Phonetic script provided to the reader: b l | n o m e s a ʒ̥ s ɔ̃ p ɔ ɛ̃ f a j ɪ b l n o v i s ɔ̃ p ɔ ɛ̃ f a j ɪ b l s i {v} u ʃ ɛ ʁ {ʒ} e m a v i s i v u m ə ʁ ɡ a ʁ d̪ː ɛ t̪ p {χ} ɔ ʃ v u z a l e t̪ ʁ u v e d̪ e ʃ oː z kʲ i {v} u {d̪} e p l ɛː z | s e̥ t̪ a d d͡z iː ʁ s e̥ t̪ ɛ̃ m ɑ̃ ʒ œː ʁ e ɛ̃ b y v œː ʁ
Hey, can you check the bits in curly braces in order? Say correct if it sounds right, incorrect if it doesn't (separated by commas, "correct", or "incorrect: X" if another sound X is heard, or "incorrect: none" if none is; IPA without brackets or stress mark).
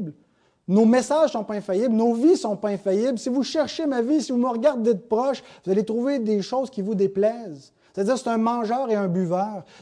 correct, incorrect: ʃ, incorrect: ʁ, correct, correct